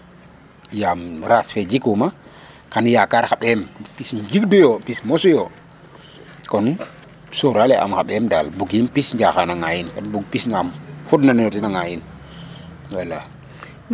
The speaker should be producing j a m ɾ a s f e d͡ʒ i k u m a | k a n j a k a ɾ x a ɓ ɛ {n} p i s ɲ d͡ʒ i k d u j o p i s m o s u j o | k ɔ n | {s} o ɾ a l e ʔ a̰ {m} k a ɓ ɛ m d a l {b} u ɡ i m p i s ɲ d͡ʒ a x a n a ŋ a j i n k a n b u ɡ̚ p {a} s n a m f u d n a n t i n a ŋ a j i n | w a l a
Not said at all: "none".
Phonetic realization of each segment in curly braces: m, s, m, b, i

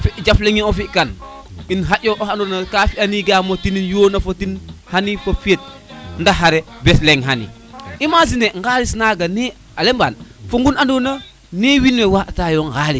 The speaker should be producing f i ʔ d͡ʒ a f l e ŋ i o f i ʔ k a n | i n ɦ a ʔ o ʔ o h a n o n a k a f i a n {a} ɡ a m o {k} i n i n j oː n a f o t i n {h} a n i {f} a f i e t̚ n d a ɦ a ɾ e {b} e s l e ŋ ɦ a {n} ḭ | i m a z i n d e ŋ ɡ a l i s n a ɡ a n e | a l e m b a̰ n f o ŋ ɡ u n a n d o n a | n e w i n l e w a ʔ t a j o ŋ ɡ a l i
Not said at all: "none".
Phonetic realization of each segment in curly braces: i, t, h, f, b, n

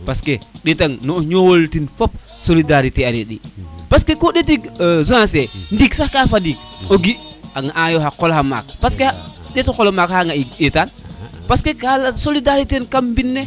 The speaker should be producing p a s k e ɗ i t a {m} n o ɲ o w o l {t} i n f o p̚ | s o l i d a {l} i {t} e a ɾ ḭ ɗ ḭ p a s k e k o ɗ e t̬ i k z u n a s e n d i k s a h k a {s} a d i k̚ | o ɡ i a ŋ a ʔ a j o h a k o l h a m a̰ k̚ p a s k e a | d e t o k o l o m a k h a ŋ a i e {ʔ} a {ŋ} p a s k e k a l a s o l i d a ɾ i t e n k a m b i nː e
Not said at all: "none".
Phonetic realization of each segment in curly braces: ŋ, t, ɾ, t, f, t, n

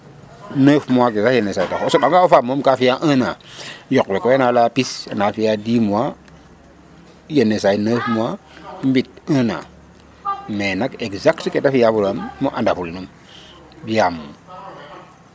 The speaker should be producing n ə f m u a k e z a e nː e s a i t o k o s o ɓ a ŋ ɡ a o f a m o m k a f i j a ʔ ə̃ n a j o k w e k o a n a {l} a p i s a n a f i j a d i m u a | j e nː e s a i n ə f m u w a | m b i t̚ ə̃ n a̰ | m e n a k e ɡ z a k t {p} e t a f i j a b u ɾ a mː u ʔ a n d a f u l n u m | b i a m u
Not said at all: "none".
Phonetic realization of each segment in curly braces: l, k

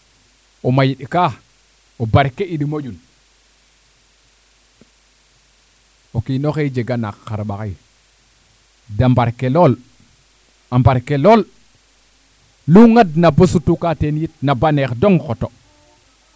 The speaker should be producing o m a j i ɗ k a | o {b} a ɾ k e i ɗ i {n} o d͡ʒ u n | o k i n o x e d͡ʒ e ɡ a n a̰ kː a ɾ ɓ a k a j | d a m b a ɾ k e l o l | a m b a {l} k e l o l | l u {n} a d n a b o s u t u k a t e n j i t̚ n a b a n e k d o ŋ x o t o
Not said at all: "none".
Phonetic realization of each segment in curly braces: b, m, ɾ, ŋ

